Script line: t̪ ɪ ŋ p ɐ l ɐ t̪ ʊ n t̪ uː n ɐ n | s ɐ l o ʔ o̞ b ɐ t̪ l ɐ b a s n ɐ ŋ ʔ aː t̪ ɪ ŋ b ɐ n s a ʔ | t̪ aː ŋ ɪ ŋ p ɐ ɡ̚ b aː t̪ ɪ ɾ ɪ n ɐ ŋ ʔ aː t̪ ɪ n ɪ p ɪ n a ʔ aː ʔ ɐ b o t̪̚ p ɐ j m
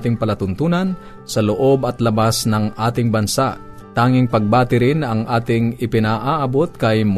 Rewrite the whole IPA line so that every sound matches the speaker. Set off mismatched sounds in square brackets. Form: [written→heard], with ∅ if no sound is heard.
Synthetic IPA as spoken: t̪ ɪ ŋ p ɐ l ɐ t̪ ʊ n t̪ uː n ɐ n | s ɐ l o ʔ o̞ b ɐ t̪ l ɐ b a s n ɐ ŋ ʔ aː t̪ ɪ ŋ b ɐ n s a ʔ | t̪ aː ŋ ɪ ŋ p ɐ ɡ̚ b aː t̪ ɪ ɾ ɪ n ɐ ŋ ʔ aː t̪ ɪ [n→ŋ] ɪ p ɪ n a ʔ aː ʔ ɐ b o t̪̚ [p→k] ɐ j m